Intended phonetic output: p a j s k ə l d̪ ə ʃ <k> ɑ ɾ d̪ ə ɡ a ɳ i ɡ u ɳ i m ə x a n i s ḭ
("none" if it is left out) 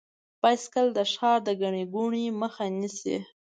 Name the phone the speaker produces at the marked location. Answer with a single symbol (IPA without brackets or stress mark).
x